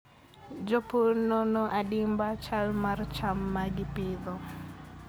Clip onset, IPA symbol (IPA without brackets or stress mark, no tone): d͡ʒ